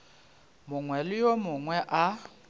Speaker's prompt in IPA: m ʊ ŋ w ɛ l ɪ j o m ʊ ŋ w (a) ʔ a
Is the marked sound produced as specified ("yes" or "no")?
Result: no